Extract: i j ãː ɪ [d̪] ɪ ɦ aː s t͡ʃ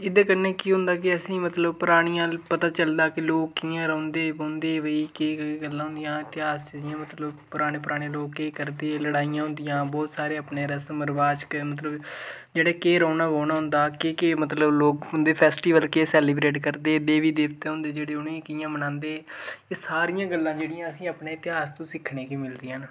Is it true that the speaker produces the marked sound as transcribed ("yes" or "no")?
no